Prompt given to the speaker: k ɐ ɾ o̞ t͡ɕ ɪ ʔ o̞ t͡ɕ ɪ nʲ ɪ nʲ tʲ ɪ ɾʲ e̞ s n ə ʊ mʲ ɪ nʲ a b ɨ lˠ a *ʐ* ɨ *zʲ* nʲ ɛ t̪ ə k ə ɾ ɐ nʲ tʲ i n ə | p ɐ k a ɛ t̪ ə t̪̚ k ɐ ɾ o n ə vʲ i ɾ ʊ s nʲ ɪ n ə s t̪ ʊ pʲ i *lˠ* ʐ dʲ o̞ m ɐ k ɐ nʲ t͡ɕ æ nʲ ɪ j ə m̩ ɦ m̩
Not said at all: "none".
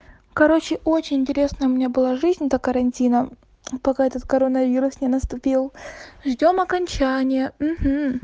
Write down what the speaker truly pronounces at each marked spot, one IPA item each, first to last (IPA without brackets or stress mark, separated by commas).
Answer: ʐ, zʲ, lˠ